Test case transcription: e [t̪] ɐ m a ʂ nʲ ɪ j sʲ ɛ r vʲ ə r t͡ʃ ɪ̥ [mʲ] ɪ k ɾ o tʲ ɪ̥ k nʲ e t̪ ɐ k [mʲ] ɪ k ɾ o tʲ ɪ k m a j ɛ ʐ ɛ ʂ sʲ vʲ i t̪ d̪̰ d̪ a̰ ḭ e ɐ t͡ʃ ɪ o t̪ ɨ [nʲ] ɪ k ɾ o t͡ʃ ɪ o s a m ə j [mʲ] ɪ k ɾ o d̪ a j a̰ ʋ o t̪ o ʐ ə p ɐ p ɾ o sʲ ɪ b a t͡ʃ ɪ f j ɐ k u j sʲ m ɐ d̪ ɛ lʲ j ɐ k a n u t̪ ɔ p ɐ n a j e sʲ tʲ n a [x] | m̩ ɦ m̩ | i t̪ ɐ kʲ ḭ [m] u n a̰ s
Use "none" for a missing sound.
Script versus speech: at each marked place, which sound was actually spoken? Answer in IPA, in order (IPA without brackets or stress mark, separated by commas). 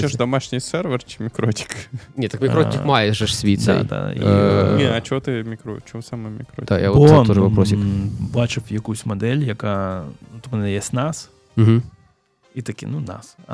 d̪, mʲ, mʲ, mʲ, mʲ, s, n